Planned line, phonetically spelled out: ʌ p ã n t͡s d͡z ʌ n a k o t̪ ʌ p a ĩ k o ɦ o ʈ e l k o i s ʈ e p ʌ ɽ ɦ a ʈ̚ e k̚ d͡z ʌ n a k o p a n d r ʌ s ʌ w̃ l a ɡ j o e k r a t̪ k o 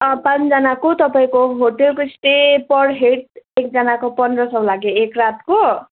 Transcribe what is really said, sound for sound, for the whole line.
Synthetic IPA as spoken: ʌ p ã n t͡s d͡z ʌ n a k o t̪ ʌ p a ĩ k o ɦ o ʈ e l k o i s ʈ e p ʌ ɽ ɦ e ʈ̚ e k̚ d͡z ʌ n a k o p ʌ n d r ʌ s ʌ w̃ l a ɡ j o e k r a t̪ k o